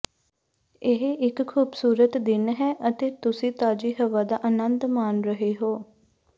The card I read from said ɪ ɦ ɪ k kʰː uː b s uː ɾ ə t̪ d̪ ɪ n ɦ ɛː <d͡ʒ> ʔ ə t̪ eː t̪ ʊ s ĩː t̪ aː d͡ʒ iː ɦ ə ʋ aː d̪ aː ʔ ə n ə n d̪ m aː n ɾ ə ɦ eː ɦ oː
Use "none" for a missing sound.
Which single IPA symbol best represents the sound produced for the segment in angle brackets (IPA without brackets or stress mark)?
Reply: none